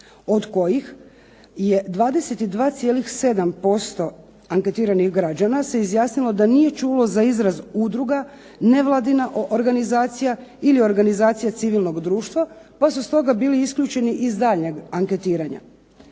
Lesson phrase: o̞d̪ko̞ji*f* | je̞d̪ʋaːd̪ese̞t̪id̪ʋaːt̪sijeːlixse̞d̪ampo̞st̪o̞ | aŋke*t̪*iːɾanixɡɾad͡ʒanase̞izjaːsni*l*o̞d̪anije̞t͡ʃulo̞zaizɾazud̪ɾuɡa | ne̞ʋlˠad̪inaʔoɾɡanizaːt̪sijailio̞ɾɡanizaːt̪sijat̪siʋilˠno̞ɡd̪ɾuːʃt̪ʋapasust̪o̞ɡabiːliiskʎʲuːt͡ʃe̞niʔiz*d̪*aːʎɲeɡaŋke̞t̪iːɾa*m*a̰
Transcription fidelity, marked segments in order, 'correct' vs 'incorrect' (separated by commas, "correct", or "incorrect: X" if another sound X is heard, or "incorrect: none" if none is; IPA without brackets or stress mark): incorrect: x, correct, correct, correct, incorrect: ɲ